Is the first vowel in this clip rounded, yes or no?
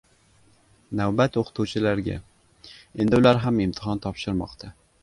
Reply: no